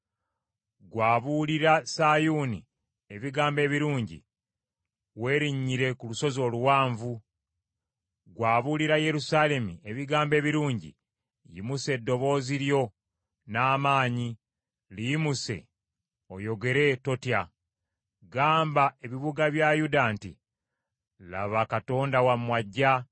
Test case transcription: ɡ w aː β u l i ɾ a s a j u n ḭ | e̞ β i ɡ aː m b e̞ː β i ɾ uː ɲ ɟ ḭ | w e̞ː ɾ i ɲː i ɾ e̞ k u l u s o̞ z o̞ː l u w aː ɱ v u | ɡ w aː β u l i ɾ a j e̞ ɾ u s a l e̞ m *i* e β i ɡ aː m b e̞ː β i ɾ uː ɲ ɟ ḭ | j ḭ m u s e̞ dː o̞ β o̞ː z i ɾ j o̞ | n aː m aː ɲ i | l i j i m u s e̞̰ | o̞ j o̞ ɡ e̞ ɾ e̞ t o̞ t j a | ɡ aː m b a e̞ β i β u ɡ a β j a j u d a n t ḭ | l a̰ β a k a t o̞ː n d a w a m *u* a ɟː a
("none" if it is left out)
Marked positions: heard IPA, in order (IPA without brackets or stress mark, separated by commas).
i, w